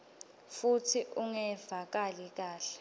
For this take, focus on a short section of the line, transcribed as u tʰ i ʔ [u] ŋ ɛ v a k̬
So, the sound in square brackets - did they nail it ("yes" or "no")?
yes